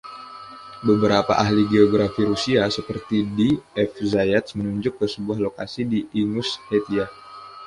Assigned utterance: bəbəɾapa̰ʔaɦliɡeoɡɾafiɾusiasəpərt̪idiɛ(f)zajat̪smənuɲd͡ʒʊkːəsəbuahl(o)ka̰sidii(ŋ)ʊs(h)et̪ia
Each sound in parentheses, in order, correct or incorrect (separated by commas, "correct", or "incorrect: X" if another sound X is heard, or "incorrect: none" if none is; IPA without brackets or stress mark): correct, correct, correct, correct